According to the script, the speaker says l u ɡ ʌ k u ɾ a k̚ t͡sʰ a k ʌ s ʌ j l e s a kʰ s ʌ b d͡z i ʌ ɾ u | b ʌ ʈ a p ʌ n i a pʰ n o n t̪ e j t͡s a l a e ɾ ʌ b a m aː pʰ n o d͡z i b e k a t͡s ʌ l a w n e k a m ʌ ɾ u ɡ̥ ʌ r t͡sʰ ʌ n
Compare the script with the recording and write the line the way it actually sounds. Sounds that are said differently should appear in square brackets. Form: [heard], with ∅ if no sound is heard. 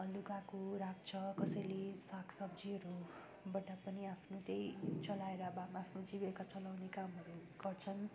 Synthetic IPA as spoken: l u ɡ [a] k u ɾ a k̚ t͡sʰ [ʌ] k ʌ s ʌ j l e s a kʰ s ʌ b d͡z i ʌ ɾ u | b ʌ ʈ a p ʌ n i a pʰ n o [∅] t̪ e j t͡s [ʌ] l a e ɾ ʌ b a m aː pʰ n o d͡z i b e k a t͡s ʌ l a w n e k a m ʌ ɾ u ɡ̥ ʌ r t͡sʰ ʌ n